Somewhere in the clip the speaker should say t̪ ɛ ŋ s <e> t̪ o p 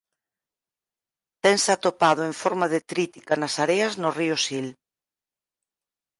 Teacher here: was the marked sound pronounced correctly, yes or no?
no